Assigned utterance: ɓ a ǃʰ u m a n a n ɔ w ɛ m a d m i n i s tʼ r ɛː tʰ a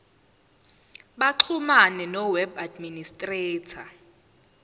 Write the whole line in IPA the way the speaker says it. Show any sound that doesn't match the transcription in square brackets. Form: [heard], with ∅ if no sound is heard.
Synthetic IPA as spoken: ɓ a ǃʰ u m a n [ɛ] n ɔ w ɛ [b] a d m i n i s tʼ r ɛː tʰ a